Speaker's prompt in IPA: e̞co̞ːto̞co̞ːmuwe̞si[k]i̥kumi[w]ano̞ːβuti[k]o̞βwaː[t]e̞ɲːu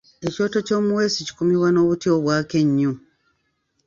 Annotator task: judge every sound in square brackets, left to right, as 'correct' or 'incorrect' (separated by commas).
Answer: incorrect, correct, incorrect, incorrect